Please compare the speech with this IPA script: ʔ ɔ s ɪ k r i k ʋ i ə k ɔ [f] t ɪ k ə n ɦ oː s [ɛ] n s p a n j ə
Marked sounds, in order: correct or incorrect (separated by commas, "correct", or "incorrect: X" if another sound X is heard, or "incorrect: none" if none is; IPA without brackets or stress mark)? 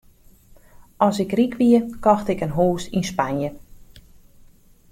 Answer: incorrect: x, incorrect: i